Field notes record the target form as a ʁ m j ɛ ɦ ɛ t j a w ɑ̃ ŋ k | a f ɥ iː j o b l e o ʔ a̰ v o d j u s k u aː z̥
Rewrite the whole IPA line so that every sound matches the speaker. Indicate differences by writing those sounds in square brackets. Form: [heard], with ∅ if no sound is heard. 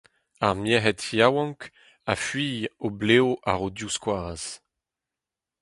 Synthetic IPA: a ʁ m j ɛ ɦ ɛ t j a w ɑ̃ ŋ k | a f ɥ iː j o b l e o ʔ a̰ [ʁ] o d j u s k [w] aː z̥